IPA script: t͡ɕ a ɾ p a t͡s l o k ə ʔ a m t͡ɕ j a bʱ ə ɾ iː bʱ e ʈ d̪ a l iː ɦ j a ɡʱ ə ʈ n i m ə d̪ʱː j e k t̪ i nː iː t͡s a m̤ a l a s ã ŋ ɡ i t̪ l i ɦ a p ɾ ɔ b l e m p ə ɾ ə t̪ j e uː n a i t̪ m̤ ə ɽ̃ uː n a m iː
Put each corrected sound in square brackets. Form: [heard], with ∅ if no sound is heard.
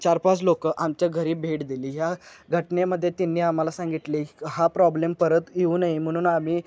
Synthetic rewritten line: t͡ɕ a ɾ p a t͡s l o k ə ʔ a m t͡ɕ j a [ɡʱ] ə ɾ iː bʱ e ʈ d̪ [i] l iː ɦ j a ɡʱ ə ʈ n [e] m ə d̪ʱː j e [∅] t̪ i nː iː [∅] a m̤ a l a s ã ŋ ɡ i t̪ l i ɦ a p ɾ ɔ b l e m p ə ɾ ə t̪ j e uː n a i [∅] m̤ ə ɽ̃ uː n a m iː

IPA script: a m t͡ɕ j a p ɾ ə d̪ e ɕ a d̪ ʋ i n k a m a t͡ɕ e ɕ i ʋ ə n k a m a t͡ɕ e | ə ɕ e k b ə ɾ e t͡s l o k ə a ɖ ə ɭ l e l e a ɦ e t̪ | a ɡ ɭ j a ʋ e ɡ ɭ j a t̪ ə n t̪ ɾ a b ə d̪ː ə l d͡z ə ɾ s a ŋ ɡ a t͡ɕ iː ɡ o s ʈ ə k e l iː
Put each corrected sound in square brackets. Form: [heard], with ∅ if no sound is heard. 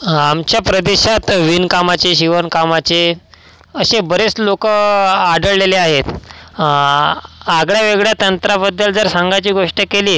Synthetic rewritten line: a m t͡ɕ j a p ɾ ə d̪ e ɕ a [t̪] ʋ i n k a m a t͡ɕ e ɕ i ʋ ə n k a m a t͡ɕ e | ə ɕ e [∅] b ə ɾ e t͡s l o k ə a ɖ ə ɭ l e l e a ɦ e t̪ | a ɡ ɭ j a ʋ e ɡ ɭ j a t̪ ə n t̪ ɾ a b ə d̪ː ə l d͡z ə ɾ s a ŋ ɡ a t͡ɕ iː ɡ o [ʂ] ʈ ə k e l iː

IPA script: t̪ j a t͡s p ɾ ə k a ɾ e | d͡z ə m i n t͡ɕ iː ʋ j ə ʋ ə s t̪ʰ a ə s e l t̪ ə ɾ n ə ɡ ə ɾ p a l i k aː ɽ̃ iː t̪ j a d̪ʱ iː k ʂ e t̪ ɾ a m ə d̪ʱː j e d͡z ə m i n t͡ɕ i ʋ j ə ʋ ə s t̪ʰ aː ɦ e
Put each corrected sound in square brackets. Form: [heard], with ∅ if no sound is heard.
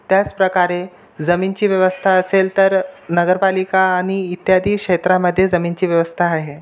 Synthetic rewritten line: t̪ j a t͡s p ɾ ə k a ɾ e | d͡z ə m i n t͡ɕ iː ʋ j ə ʋ ə s t̪ʰ a ə s e l t̪ ə ɾ n ə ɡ ə ɾ p a l i k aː ɽ̃ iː t̪ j a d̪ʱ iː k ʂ e t̪ ɾ a m ə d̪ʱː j e d͡z ə m i n t͡ɕ [iː] ʋ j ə ʋ ə s t̪ʰ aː ɦ e

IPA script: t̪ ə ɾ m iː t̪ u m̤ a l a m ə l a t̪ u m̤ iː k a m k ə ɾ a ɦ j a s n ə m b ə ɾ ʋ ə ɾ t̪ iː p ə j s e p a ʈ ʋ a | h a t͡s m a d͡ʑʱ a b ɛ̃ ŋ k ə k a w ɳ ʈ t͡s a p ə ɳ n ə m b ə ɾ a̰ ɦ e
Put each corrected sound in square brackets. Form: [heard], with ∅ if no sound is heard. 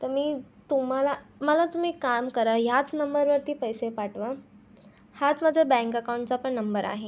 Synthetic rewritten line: t̪ ə ɾ m iː t̪ u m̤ a l a m ə l a t̪ u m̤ iː k a m k ə ɾ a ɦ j a [t͡s] n ə m b ə ɾ ʋ ə ɾ t̪ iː p ə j s e p a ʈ ʋ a | h a t͡s m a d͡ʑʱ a b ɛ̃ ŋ k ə k a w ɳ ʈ t͡s a p ə ɳ n ə m b ə ɾ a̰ ɦ e

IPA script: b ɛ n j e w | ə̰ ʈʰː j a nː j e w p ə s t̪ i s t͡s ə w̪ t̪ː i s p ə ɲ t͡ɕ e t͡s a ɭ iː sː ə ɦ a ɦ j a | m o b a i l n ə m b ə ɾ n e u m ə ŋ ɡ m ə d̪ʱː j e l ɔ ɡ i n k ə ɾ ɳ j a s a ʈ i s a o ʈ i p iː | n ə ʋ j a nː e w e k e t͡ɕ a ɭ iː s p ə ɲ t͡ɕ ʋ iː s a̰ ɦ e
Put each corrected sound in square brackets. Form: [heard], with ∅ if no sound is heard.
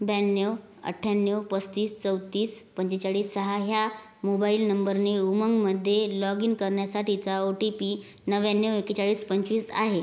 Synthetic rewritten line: b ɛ n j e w | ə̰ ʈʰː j a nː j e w p ə s t̪ [iː] s t͡s ə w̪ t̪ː [iː] s p ə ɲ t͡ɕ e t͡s a ɭ iː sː ə ɦ a ɦ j a | m o b a i l n ə m b ə ɾ n e u m ə ŋ ɡ m ə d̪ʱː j e l ɔ ɡ i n k ə ɾ ɳ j a s a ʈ i [t͡s] a o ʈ i p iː | n ə ʋ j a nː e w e k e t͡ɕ a ɭ iː s p ə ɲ t͡ɕ ʋ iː s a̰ ɦ e

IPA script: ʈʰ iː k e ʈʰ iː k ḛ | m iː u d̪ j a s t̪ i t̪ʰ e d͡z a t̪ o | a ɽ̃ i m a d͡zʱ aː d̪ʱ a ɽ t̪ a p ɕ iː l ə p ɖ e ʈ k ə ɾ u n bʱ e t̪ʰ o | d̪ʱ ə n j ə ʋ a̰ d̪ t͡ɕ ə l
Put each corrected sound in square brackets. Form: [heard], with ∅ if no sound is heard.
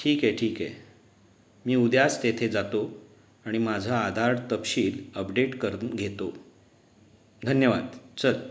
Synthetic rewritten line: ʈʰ iː k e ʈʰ iː k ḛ | m iː u d̪ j a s t̪ [e] t̪ʰ e d͡z a t̪ o | a ɽ̃ i m a d͡zʱ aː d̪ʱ a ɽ t̪ [ə] p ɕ iː l ə p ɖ e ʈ k ə ɾ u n [ɡʱ] e [t̪] o | d̪ʱ ə n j ə ʋ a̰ d̪ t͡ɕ ə l

